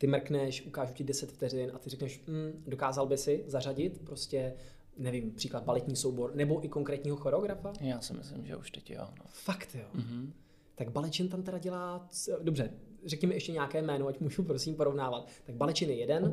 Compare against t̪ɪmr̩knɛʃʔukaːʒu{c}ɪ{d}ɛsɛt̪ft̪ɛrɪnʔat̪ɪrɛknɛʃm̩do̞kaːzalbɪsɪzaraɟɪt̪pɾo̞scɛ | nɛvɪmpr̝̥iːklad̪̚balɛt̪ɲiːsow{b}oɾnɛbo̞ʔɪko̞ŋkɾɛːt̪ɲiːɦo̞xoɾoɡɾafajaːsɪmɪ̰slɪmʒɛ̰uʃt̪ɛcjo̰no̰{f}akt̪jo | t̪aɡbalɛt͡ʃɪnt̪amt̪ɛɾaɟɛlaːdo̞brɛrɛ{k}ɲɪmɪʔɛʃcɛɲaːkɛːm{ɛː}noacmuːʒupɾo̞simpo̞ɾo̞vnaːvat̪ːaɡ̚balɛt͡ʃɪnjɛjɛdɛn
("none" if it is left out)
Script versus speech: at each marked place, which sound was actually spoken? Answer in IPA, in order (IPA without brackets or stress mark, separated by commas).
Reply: c, d, b, f, k, ɛː